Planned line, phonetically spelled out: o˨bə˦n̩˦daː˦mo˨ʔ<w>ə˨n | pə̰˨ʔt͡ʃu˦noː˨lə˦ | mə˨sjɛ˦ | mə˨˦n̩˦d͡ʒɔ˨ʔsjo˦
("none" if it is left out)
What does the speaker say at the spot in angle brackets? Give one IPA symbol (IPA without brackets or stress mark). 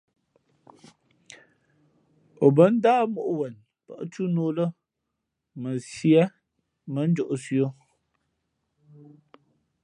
w